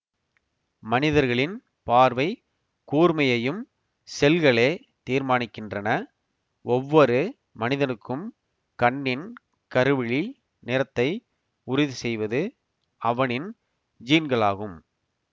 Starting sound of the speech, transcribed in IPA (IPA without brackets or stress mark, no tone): m